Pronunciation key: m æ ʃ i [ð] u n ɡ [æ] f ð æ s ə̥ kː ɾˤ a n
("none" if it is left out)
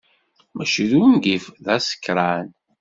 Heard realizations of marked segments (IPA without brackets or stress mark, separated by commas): ð, i